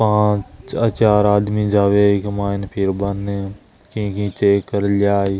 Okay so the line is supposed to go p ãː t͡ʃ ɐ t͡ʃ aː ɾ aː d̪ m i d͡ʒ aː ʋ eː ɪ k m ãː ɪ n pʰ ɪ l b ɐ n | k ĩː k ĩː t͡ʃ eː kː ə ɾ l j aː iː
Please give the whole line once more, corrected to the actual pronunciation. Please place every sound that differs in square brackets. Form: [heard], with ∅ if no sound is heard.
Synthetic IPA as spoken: p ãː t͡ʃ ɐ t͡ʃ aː ɾ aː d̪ m i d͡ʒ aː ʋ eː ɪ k m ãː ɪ n pʰ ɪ [ɾ] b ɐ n | k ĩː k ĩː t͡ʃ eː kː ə ɾ l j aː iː